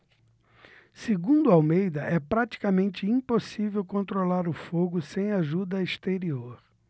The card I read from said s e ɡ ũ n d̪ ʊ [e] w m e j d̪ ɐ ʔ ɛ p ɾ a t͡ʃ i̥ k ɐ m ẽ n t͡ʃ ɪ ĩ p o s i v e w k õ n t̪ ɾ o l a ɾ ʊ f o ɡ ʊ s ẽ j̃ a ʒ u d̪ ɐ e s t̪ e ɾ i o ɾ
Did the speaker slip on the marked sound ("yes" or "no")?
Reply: yes